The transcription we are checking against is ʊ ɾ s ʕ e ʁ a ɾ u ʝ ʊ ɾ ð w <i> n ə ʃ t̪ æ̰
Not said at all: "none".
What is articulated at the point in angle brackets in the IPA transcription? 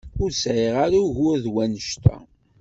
æ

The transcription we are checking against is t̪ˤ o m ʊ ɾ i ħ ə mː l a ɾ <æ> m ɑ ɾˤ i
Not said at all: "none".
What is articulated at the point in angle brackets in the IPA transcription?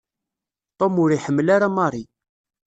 a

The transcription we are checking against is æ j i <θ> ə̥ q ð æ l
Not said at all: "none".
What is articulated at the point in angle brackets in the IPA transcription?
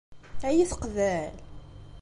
θ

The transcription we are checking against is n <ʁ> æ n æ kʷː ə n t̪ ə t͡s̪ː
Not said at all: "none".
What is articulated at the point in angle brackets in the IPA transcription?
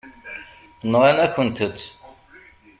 ʁ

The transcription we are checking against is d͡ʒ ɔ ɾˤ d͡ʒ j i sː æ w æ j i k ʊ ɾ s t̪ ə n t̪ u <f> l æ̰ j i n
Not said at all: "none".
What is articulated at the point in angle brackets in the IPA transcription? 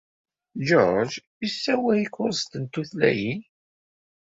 θ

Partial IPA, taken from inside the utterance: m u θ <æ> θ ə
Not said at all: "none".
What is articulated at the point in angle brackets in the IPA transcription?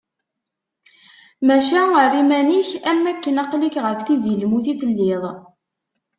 i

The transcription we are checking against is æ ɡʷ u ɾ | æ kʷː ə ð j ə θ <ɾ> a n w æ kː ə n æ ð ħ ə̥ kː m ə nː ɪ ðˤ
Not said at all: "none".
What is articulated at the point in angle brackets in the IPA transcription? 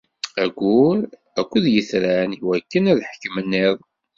ɾ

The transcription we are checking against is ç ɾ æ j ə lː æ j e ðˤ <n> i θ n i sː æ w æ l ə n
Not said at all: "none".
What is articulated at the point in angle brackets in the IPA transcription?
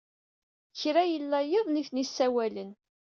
n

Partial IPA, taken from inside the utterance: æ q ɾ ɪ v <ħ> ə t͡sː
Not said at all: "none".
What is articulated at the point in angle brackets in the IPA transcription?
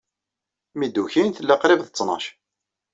θ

